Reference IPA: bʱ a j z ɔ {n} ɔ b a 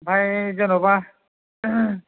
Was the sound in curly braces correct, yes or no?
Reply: yes